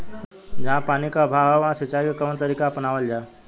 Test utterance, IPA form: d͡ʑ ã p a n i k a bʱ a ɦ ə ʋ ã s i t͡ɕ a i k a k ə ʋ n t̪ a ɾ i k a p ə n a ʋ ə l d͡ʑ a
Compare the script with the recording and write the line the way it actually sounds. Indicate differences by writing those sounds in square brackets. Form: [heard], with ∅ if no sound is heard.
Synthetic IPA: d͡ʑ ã p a n i k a bʱ a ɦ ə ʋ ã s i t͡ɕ a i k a k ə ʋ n t̪ [ə] ɾ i k a p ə n a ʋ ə l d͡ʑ a